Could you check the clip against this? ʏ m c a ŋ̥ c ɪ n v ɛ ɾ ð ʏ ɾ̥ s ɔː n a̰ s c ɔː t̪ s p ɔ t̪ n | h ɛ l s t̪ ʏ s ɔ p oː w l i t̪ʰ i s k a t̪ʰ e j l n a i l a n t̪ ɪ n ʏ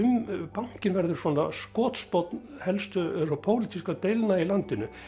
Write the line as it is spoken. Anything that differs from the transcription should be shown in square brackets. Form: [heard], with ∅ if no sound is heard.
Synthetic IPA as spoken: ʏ m [p] a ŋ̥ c ɪ n v ɛ ɾ ð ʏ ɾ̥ s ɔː n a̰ s [k] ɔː t̪ s p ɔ t̪ n | h ɛ l s t̪ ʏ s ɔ [pʰ] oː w l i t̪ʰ i s k a [t̪] e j l n a i l a n t̪ ɪ n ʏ